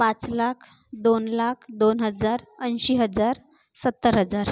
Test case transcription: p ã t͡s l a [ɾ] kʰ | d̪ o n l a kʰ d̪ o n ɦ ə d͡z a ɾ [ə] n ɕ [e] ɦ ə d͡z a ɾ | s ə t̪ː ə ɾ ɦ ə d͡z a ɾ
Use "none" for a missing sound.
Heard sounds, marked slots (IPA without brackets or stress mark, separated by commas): none, ə, i